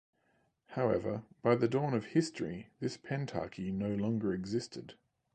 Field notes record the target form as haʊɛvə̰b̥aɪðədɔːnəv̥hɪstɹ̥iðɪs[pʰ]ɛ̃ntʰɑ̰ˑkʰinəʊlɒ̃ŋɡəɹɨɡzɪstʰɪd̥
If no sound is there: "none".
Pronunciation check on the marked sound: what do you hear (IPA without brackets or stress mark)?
pʰ